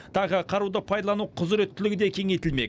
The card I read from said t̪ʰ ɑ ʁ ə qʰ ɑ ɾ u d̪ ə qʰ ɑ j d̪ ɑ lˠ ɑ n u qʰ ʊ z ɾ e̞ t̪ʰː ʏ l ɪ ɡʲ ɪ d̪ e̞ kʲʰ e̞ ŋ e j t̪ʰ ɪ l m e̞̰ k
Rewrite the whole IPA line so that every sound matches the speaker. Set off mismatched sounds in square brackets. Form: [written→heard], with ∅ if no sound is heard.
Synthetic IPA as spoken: t̪ʰ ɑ ʁ ə qʰ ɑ ɾ u d̪ ə [qʰ→pʰ] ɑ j d̪ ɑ lˠ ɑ n u qʰ ʊ z ɾ e̞ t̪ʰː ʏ l ɪ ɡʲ ɪ d̪ e̞ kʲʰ e̞ ŋ e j [t̪ʰ→t̪] ɪ l m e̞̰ k